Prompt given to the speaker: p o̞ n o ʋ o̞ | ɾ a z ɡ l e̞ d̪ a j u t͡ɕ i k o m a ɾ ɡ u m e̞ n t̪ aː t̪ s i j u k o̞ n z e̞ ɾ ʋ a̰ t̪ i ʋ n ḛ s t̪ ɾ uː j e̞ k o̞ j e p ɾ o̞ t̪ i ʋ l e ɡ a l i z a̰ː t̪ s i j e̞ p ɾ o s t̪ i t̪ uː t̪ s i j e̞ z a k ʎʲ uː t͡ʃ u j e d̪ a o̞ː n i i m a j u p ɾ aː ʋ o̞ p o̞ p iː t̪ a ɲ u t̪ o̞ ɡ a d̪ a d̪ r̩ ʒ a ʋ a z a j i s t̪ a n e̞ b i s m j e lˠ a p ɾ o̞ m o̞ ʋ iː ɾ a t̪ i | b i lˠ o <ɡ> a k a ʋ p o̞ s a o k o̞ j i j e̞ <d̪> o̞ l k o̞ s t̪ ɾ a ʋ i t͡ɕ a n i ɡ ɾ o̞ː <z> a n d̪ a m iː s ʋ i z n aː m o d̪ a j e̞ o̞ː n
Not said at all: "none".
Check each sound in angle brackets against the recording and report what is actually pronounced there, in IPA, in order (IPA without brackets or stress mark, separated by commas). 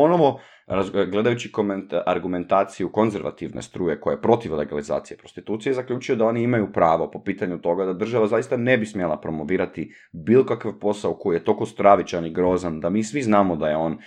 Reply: k, t̪, z